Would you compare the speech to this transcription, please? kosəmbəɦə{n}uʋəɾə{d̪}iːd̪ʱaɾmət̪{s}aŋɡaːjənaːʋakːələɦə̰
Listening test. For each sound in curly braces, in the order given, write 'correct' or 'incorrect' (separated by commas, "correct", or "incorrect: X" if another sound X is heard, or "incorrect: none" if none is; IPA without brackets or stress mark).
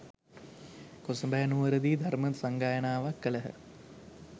correct, correct, correct